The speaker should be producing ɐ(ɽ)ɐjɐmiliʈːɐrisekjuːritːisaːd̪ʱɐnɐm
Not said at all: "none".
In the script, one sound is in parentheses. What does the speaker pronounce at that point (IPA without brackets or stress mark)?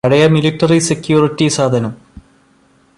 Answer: ɽ